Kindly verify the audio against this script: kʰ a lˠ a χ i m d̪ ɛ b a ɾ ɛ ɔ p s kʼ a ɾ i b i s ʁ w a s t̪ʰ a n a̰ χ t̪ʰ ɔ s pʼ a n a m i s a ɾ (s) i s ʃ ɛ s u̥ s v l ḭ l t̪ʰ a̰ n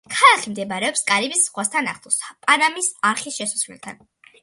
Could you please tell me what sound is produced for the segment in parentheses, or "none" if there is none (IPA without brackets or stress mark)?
χ